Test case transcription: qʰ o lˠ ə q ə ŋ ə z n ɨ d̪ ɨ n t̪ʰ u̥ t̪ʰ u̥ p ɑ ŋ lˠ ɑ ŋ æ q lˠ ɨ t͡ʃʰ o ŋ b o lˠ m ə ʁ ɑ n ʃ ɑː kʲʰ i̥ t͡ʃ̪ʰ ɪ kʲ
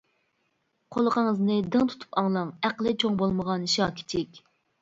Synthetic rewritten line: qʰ o lˠ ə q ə ŋ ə z n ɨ d̪ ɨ ŋ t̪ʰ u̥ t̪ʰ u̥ p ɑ ŋ lˠ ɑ ŋ æ q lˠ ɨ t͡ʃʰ o ŋ b o lˠ m ə ʁ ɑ n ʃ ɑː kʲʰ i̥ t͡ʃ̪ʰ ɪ kʲ